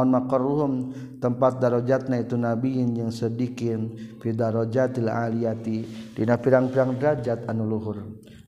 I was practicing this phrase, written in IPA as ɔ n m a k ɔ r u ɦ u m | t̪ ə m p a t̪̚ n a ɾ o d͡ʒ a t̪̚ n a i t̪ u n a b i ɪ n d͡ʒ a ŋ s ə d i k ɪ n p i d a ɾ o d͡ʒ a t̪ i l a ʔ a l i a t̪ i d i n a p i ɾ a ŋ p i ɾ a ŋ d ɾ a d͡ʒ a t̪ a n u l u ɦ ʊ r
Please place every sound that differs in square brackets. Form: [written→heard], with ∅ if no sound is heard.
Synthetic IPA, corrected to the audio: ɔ n m a k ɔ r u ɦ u m | t̪ ə m p a t̪̚ [n→d] a ɾ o d͡ʒ a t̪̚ n a i t̪ u n a b i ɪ n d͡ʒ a ŋ s ə d i k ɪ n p i d a ɾ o d͡ʒ a t̪ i l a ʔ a l i a t̪ i d i n a p i ɾ a ŋ p i ɾ a ŋ d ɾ a d͡ʒ a t̪ a n u l u ɦ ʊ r